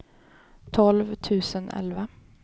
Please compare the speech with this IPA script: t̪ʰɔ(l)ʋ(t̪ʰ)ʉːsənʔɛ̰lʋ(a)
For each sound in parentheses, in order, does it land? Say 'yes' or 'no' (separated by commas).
yes, yes, no